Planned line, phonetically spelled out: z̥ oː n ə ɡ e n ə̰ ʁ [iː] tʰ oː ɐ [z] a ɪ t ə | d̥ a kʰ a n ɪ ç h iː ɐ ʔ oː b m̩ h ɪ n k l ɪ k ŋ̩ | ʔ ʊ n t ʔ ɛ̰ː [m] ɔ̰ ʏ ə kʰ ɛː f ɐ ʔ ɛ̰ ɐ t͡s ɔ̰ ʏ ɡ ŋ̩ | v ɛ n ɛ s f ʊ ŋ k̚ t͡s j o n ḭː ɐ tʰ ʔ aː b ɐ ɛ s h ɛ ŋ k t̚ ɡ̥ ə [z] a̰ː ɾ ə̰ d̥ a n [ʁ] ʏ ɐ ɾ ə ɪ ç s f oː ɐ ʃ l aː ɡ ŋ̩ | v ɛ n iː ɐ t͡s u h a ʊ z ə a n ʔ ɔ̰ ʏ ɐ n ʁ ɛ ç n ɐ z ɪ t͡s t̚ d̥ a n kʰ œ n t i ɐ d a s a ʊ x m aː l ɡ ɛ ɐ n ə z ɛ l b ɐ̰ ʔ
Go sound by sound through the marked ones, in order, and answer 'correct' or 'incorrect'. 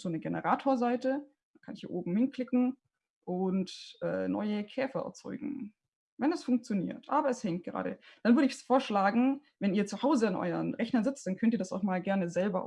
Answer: incorrect, correct, incorrect, incorrect, incorrect

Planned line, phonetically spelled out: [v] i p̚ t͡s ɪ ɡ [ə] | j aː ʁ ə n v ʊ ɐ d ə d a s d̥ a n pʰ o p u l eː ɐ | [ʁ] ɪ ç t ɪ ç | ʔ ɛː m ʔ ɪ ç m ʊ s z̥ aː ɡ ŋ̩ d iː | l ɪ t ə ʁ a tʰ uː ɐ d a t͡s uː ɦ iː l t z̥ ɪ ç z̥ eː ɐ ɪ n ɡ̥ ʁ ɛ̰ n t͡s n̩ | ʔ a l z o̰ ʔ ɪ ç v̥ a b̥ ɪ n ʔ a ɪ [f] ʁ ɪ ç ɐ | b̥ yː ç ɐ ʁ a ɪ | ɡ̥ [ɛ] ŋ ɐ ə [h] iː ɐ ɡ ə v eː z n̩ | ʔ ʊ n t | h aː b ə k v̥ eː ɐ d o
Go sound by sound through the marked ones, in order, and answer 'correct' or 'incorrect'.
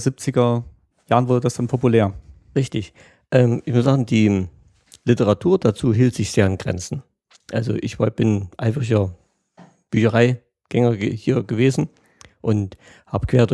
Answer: incorrect, incorrect, correct, correct, correct, correct

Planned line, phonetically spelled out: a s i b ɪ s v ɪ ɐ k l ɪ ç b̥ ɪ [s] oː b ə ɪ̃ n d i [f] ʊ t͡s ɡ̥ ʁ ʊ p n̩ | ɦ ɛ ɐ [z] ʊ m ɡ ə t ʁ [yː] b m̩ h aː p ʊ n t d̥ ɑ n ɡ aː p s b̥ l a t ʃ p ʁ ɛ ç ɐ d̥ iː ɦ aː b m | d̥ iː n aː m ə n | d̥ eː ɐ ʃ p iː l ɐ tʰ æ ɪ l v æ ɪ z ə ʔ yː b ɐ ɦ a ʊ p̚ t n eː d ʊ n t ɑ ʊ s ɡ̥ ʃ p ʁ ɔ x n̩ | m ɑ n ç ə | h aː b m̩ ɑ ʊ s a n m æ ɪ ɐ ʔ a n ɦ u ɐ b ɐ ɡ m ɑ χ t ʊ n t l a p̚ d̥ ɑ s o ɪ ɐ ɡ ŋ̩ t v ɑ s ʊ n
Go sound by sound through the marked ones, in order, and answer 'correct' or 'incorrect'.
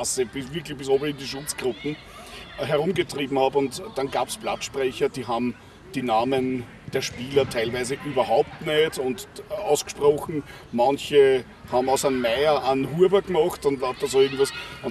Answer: correct, incorrect, incorrect, incorrect

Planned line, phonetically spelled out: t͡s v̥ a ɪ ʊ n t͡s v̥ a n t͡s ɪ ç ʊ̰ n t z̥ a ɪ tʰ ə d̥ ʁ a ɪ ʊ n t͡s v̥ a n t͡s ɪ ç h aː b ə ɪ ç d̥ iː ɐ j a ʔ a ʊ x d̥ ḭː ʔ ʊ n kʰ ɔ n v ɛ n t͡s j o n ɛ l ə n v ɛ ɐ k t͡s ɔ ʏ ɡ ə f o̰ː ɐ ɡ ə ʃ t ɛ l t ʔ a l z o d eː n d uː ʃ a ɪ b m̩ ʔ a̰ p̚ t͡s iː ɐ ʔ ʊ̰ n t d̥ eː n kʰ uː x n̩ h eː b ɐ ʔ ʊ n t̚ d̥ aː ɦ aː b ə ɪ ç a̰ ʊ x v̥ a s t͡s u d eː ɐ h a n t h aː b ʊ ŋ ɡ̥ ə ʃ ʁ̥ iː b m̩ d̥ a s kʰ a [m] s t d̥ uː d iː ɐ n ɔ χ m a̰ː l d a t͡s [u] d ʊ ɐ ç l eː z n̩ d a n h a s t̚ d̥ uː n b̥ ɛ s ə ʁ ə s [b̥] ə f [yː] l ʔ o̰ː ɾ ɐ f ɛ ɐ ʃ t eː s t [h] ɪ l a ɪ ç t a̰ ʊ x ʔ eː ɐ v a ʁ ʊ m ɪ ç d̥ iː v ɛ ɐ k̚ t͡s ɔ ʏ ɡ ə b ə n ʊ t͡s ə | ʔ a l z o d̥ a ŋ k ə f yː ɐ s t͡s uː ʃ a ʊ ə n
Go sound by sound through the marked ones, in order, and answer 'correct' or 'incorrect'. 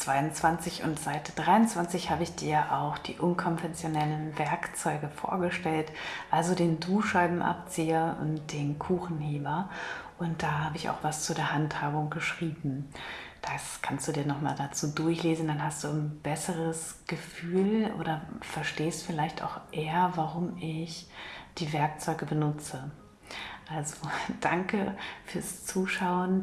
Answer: incorrect, incorrect, incorrect, correct, incorrect

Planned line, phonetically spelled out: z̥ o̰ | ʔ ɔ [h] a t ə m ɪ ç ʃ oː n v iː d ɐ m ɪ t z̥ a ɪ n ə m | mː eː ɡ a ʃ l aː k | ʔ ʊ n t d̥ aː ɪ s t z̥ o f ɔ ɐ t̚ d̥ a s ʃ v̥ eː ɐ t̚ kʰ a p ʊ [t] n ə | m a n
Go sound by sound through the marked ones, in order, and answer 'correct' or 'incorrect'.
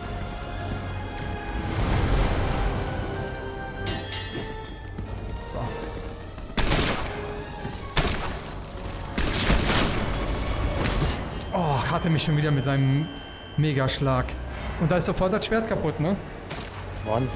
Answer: correct, correct

